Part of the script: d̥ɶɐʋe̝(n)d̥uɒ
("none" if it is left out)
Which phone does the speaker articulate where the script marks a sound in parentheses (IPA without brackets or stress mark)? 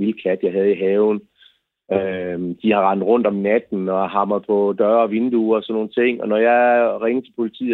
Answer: n